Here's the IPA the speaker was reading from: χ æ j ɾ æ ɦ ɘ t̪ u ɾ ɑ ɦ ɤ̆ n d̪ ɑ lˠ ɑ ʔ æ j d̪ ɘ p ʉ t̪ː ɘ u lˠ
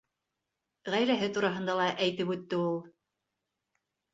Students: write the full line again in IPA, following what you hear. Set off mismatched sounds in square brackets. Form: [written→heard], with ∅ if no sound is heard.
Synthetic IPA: [χ→ʁ] æ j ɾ æ ɦ ɘ t̪ u ɾ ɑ ɦ ɤ̆ n d̪ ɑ lˠ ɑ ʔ æ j [d̪→t̪] ɘ p ʉ t̪ː ɘ u lˠ